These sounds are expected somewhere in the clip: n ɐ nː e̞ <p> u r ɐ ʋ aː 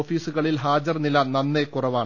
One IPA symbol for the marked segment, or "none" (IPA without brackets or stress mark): k